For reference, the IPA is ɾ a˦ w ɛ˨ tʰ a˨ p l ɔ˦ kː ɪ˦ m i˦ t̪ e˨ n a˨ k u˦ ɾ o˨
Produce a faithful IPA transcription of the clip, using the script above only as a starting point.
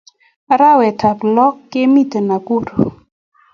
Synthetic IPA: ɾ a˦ w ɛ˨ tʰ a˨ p l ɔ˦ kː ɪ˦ m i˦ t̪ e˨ n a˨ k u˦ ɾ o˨